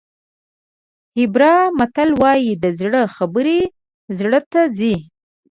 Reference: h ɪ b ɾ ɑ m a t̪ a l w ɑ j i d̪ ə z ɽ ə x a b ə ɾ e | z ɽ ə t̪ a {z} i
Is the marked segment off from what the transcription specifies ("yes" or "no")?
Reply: no